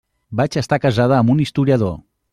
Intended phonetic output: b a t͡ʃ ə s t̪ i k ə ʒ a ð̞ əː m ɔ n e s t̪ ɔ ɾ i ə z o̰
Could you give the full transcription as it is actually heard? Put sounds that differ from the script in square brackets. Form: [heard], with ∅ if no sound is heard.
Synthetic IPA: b a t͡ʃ ə s t̪ [a] k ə [z] a ð̞ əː m [u] n [i] s t̪ [u] ɾ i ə [ð] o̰